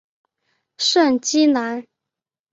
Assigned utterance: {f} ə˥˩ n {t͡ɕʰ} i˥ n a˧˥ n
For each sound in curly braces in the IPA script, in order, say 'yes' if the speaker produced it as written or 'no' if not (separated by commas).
no, no